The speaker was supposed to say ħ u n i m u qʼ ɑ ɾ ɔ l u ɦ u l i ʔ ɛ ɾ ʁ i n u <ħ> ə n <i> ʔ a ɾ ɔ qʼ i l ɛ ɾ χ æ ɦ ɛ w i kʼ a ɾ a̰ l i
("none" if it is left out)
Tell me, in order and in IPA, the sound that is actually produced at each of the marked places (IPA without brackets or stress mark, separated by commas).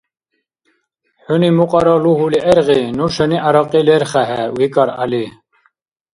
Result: ʃ, i